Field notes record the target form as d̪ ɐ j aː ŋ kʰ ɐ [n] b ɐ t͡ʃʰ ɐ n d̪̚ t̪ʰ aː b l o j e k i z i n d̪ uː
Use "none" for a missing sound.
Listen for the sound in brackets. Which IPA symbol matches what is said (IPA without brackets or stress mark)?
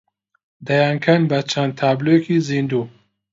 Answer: n